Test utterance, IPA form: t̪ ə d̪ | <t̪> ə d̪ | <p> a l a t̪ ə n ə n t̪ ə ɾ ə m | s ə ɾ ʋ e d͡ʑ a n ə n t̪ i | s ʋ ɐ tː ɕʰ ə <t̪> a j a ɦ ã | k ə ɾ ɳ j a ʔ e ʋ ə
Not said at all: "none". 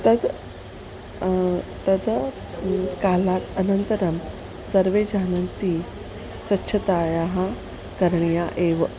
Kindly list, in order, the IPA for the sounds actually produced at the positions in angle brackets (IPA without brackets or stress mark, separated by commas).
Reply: t̪, k, t̪